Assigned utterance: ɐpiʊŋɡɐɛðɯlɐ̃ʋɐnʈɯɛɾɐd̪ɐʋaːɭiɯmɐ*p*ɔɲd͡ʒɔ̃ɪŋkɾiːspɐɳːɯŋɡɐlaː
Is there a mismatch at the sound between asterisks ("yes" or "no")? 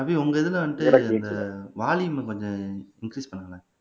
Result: yes